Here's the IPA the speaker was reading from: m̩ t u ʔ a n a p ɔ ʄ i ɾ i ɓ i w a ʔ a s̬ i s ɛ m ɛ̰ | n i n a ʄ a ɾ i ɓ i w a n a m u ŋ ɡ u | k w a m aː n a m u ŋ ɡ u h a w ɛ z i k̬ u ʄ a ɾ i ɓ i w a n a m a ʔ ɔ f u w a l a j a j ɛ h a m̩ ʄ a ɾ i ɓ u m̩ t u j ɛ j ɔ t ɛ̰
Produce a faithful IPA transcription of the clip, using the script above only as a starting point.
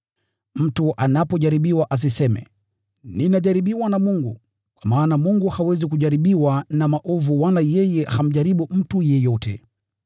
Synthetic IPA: m̩ t u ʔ a n a p ɔ ʄ a ɾ i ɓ i w a ʔ a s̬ i s ɛ m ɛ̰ | n i n a ʄ a ɾ i ɓ i w a n a m u ŋ ɡ u | k w a m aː n a m u ŋ ɡ u h a w ɛ z i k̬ u ʄ a ɾ i ɓ i w a n a m a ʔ ɔ v u w a l a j ɛ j ɛ h a m̩ ʄ a ɾ i ɓ u m̩ t u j ɛ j ɔ t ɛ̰